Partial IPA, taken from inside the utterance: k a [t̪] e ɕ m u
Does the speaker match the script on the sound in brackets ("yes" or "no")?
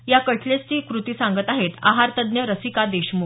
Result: no